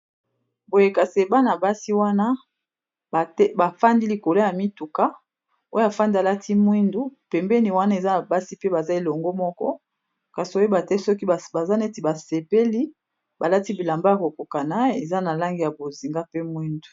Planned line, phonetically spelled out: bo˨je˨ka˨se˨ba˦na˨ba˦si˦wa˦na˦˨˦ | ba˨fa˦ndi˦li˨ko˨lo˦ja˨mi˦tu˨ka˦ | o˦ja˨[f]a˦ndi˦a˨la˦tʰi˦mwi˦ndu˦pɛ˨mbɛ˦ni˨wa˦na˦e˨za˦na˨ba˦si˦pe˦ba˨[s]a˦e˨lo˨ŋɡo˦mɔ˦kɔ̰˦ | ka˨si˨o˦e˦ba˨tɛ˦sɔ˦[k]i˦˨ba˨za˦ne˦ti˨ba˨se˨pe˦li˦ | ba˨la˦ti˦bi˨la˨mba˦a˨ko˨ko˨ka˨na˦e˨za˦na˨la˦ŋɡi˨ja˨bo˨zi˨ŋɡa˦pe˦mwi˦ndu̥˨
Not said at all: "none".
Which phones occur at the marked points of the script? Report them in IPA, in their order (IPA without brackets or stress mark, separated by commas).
f, z, k